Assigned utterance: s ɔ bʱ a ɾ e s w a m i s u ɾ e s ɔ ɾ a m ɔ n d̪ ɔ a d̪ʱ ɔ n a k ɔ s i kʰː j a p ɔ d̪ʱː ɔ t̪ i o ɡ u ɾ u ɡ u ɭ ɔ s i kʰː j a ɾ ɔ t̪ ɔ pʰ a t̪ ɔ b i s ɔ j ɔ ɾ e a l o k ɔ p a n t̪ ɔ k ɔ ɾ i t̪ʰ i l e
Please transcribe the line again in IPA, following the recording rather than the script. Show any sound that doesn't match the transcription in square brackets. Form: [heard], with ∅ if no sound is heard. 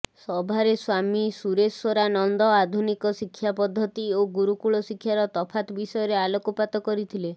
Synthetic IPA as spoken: s ɔ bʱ a ɾ e s w a m i s u ɾ e s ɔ ɾ a [n] ɔ n d̪ ɔ a d̪ʱ [u] n [i] k ɔ s i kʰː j a p ɔ d̪ʱː ɔ t̪ i o ɡ u ɾ u [k] u ɭ ɔ s i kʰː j a ɾ ɔ t̪ ɔ pʰ a t̪ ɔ b i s ɔ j ɔ ɾ e a l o k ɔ p a [∅] t̪ ɔ k ɔ ɾ i t̪ʰ i l e